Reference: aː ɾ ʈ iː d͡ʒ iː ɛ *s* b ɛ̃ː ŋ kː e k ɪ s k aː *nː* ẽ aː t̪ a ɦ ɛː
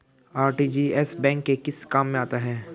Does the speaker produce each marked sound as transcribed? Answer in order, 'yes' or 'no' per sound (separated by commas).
yes, no